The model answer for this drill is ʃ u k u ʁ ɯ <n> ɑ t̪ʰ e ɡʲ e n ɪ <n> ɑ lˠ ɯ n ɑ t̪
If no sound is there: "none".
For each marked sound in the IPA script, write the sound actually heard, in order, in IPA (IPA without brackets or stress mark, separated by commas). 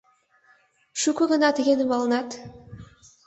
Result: n, m